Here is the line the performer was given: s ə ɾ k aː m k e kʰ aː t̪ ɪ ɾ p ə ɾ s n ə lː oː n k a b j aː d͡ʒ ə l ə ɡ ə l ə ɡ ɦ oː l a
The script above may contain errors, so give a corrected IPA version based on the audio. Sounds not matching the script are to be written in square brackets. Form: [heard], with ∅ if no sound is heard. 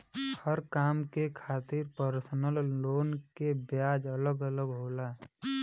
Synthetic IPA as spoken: [h] ə ɾ k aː m k e kʰ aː t̪ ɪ ɾ p ə ɾ s n ə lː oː n k [e] b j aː d͡ʒ ə l ə ɡ ə l ə ɡ ɦ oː l a